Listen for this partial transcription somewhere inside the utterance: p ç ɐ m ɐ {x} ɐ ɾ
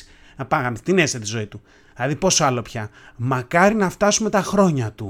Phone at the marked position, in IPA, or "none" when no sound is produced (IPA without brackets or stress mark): k